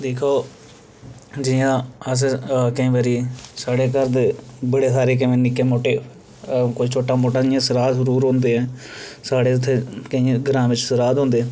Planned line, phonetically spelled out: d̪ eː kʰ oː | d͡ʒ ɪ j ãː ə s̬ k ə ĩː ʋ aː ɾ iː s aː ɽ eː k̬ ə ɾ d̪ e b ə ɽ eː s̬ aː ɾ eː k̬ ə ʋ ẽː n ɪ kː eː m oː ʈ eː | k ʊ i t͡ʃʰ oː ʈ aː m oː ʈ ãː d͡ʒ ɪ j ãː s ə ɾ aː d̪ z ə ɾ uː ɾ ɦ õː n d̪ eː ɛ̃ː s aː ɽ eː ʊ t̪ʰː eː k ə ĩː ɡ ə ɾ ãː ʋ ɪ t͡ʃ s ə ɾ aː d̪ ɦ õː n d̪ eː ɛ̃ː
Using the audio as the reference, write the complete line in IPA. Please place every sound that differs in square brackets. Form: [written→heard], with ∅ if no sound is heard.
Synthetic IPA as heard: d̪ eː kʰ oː | d͡ʒ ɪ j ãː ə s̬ k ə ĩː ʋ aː ɾ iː s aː ɽ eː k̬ ə ɾ d̪ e b ə ɽ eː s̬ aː ɾ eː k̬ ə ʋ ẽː n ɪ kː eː m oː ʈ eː | k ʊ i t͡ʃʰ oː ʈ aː m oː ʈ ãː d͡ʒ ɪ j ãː s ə ɾ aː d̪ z ə ɾ uː ɾ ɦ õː n d̪ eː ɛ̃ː s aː ɽ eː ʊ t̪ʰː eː k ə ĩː ɡ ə ɾ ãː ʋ ɪ t͡ʃ s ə ɾ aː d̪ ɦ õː n d̪ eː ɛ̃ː

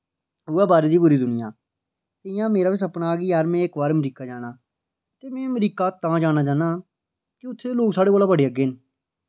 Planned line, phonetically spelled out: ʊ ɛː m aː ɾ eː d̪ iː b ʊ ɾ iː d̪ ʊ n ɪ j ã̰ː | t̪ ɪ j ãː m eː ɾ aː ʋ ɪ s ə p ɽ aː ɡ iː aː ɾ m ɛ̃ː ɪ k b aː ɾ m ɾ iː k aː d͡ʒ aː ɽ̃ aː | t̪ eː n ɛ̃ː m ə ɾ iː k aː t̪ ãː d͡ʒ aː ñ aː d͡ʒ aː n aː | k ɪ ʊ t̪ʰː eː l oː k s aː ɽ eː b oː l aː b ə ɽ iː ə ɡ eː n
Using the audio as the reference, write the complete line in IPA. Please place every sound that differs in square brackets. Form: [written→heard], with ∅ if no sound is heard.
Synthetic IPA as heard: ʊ ɛː [m→b] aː ɾ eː d̪ iː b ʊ ɾ iː d̪ ʊ n ɪ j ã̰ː | t̪ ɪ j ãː m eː ɾ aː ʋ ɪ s ə p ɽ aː ɡ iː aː ɾ m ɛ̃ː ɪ k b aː ɾ m ɾ iː k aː d͡ʒ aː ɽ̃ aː | t̪ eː [n→m] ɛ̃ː m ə ɾ iː k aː t̪ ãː d͡ʒ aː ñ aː d͡ʒ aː n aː | k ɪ ʊ t̪ʰː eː l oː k s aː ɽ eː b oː l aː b ə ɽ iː ə ɡ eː n

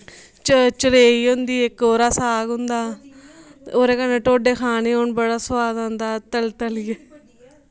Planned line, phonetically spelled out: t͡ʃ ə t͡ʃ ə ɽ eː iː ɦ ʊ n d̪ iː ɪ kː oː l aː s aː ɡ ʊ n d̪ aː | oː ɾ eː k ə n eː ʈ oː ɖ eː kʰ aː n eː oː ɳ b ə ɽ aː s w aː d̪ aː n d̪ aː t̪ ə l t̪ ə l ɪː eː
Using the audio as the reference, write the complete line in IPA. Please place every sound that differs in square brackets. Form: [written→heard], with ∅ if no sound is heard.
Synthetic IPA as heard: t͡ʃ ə t͡ʃ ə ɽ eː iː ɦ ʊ n d̪ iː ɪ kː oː [l→ɾ] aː s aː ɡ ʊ n d̪ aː | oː ɾ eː k ə n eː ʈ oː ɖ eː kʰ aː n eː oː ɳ b ə ɽ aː s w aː d̪ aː n d̪ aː t̪ ə l t̪ ə l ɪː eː

